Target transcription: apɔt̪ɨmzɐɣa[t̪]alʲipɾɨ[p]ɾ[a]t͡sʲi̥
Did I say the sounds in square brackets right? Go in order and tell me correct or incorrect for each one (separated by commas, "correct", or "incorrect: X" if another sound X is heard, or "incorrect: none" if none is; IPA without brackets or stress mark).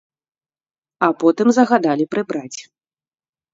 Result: incorrect: d̪, incorrect: b, correct